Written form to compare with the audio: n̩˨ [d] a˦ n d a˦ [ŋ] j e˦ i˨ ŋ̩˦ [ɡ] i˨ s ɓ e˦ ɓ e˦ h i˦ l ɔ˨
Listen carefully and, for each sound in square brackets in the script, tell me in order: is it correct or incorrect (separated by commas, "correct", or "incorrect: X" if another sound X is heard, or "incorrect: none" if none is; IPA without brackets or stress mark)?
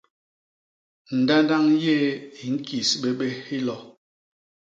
correct, correct, incorrect: k